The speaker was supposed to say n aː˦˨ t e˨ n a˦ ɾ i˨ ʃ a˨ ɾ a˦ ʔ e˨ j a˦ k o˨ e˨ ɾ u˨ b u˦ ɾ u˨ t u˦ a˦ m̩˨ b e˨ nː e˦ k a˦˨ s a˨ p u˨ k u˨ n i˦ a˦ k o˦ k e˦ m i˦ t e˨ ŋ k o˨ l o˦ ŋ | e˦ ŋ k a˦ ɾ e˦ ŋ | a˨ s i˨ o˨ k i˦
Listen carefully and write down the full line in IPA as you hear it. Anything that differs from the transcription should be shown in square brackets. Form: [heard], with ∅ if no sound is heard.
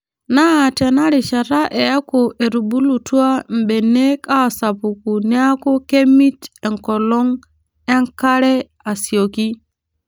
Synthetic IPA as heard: n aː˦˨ t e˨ n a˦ ɾ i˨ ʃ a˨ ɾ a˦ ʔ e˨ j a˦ k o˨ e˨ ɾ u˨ b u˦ [l] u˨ t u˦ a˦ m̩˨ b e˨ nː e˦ k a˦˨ s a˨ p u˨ k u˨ n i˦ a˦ k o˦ k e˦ m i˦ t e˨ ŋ k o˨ l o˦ ŋ | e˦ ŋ k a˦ ɾ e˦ [∅] | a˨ s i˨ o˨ k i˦